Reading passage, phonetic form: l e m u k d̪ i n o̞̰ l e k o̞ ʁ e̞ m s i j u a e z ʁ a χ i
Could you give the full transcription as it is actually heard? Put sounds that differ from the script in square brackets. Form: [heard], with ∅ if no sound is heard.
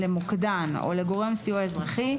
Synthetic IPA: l e m u k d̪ [a] n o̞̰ l e [ɡ] o̞ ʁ e̞ m s i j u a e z ʁ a χ i